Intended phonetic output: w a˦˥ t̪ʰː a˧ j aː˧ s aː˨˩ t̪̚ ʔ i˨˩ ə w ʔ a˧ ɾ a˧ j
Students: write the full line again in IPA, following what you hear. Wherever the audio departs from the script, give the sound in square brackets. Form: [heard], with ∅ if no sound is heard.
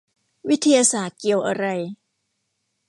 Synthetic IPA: w [i˦˥] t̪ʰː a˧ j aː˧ s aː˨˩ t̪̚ [k] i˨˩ ə w ʔ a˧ ɾ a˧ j